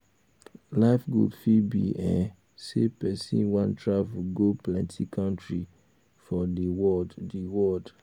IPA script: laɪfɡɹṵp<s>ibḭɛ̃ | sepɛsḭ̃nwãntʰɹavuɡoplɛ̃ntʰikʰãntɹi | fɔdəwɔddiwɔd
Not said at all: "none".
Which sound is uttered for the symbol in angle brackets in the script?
f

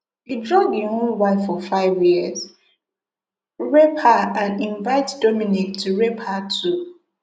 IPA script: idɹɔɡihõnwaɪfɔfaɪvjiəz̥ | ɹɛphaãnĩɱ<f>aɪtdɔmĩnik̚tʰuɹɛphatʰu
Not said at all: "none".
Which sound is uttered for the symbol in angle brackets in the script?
v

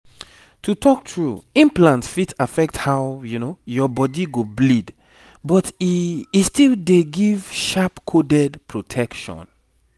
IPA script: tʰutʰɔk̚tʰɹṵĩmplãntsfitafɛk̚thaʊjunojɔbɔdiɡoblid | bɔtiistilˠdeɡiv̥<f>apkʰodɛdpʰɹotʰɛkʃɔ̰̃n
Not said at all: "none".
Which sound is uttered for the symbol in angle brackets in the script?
ʃ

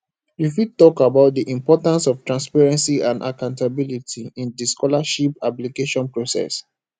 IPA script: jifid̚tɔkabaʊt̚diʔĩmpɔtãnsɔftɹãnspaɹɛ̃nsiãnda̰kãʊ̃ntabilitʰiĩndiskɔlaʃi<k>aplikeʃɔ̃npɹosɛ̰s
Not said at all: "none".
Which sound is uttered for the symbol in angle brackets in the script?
p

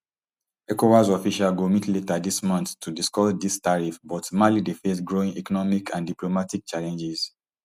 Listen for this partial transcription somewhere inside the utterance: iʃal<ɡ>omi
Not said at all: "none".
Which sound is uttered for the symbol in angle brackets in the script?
ɡ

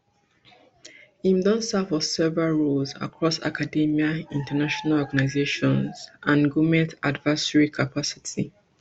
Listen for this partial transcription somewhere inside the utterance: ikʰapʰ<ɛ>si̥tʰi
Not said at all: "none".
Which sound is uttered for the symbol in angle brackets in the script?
a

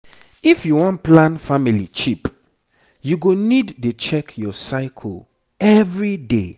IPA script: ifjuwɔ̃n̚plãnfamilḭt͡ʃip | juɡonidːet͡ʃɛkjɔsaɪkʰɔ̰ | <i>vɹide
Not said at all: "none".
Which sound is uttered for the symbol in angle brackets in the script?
ɛ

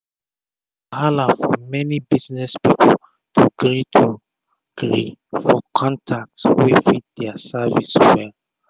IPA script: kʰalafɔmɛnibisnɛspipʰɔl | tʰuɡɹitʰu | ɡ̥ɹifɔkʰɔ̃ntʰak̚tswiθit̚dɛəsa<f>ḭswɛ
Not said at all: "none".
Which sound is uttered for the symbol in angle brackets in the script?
v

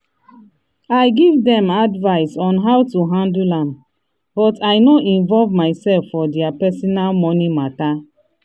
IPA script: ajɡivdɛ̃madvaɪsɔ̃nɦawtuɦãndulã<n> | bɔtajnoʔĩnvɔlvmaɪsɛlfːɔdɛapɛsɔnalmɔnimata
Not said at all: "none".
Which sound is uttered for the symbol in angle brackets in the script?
m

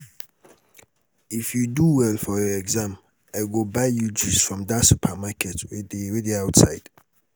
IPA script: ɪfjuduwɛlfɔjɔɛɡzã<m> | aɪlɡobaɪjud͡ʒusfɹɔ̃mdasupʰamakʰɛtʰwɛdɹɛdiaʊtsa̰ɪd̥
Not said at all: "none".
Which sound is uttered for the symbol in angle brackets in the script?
m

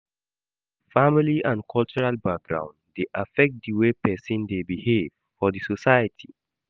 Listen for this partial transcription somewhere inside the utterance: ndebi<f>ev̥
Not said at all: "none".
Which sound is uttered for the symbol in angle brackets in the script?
h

